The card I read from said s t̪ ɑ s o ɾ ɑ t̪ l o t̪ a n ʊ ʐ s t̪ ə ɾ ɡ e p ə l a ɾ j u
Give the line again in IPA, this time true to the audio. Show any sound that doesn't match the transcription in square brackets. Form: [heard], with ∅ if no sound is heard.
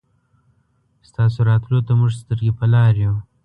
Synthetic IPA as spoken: s t̪ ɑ s o ɾ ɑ t̪ l o t̪ a [m] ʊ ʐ s t̪ ə ɾ ɡ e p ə l [ɑ] ɾ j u